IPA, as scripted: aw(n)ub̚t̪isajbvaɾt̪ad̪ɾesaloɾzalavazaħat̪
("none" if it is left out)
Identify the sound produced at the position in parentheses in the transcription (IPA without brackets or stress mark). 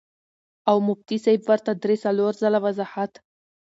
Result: m